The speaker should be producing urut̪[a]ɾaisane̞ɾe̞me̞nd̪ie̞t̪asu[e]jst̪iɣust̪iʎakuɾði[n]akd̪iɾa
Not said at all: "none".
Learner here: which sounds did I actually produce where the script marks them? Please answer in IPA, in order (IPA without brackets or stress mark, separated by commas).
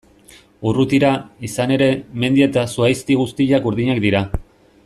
i, a, ɲ